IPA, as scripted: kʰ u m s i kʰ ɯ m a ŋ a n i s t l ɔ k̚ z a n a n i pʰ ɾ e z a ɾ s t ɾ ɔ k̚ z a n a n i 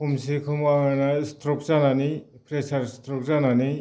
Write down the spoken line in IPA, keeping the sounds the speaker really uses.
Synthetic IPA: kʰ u m s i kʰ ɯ m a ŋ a n a s t ɾ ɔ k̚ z a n a n i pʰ ɾ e s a ɾ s t ɾ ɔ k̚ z a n a n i

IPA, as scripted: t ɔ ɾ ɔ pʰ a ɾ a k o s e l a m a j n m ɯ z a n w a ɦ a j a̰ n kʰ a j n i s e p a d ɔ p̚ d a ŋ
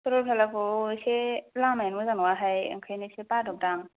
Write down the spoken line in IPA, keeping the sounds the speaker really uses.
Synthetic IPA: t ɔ ɾ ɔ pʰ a l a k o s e l a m a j n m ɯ z a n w a ɦ a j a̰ ŋ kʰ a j n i s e p a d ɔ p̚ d a ŋ

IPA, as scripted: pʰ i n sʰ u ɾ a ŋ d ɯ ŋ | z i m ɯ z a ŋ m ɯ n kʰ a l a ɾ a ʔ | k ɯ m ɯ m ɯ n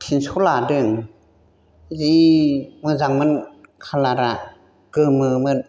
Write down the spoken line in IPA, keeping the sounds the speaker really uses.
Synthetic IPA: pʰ i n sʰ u l a d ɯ ŋ | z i m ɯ z a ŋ m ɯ n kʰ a l a ɾ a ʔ | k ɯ m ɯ m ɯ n

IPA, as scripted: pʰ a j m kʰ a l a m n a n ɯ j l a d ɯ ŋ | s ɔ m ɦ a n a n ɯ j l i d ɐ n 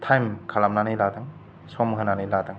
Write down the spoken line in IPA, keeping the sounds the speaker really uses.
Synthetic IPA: tʰ a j m kʰ a l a m n a n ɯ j l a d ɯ ŋ | s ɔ m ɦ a n a n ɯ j l a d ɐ ŋ

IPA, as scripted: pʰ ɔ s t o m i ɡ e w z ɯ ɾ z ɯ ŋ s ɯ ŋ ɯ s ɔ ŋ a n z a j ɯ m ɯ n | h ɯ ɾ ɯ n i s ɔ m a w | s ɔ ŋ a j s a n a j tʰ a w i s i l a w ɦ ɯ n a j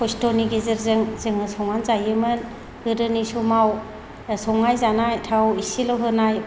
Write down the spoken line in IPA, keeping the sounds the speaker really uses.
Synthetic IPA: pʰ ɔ s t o n i ɡ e z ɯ ɾ z ɯ ŋ z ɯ ŋ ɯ s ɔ ŋ a n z a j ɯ m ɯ n | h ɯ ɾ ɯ n i s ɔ m a w | s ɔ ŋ a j z a n a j tʰ a w i s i l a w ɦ ɯ n a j

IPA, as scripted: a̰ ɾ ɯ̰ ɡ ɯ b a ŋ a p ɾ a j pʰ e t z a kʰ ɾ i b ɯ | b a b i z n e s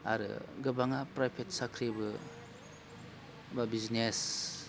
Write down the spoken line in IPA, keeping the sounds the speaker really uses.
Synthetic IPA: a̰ ɾ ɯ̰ ɡ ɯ b a ŋ a p ɾ a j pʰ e t s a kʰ ɾ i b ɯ | b a b i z n e s

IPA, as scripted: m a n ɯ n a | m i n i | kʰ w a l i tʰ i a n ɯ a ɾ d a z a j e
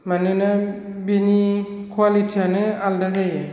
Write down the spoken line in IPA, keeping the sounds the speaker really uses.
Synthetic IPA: m a n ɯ n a | b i n i | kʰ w a l i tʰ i a n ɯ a l d a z a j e

